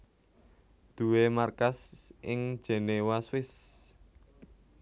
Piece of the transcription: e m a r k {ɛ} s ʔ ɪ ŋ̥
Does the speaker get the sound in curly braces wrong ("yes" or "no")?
yes